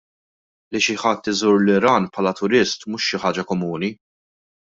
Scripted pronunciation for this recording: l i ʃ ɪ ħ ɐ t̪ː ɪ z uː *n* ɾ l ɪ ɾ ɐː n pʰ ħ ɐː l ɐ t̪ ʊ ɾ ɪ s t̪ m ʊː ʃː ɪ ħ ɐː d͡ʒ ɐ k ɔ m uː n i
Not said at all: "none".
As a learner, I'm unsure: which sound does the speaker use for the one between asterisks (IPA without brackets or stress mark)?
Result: none